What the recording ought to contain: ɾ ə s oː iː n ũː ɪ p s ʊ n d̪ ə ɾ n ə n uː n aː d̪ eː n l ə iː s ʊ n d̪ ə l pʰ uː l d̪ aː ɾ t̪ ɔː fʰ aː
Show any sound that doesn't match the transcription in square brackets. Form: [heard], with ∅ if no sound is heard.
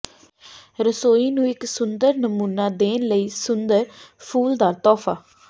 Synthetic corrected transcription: ɾ ə s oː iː n ũː ɪ [k] s ʊ n d̪ ə ɾ n ə [m] uː n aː d̪ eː n l ə iː s ʊ n d̪ ə [ɾ] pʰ uː l d̪ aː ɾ t̪ ɔː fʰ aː